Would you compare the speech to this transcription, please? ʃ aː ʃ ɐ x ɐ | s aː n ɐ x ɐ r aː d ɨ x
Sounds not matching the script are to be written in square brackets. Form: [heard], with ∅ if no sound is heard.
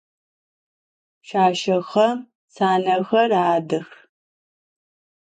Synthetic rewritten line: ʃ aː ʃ ɐ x ɐ | s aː n ɐ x ɐ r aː d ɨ x